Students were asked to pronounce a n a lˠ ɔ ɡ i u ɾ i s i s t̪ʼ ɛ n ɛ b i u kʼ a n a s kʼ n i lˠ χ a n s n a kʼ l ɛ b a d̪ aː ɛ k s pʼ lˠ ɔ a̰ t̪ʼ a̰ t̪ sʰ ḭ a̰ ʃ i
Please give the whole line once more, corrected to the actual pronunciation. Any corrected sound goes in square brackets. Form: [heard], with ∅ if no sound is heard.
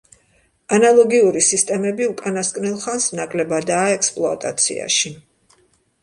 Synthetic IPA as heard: a n a lˠ ɔ ɡ i u ɾ i s i s t̪ʼ ɛ [m] ɛ b i u kʼ a n a s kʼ n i lˠ χ a n s n a kʼ l ɛ b a d̪ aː ɛ k s pʼ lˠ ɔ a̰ t̪ʼ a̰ t̪ sʰ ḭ a̰ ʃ i